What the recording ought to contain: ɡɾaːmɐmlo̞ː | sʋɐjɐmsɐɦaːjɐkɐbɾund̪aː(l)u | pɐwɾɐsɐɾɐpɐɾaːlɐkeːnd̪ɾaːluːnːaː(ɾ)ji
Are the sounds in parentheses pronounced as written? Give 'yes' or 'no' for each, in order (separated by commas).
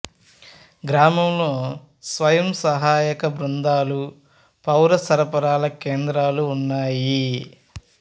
yes, no